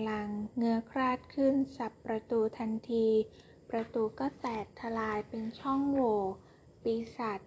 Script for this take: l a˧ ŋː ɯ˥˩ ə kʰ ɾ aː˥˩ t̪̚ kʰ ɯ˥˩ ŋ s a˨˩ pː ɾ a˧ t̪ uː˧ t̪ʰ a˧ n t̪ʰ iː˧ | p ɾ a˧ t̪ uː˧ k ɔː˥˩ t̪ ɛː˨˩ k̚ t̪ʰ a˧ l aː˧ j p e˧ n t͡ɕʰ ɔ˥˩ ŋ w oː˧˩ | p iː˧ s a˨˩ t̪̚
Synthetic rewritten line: l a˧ ŋː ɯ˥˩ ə kʰ ɾ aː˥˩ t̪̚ kʰ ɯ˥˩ n s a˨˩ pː ɾ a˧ t̪ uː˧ t̪ʰ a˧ n t̪ʰ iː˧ | p ɾ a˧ t̪ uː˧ k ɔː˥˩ t̪ ɛː˨˩ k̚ t̪ʰ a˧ l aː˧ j p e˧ n t͡ɕʰ ɔ˥˩ ŋ w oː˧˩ | p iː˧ s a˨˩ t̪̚